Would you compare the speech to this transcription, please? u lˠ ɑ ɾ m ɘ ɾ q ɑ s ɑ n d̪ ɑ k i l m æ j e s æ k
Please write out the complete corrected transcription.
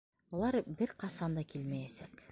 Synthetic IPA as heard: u lˠ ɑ ɾ b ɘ ɾ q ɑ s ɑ n d̪ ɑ k i l m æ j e s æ k